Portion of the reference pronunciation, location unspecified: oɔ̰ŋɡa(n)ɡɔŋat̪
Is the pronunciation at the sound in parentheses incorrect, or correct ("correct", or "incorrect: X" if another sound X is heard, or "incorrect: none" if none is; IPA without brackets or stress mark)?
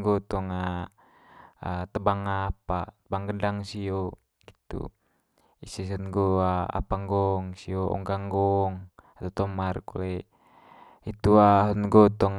incorrect: ŋ